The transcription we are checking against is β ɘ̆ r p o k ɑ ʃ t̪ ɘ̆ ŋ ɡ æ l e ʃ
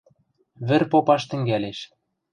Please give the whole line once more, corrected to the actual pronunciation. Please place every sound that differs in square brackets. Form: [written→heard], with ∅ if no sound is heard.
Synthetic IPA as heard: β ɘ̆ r p o [k→p] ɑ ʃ t̪ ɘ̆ ŋ ɡ æ l e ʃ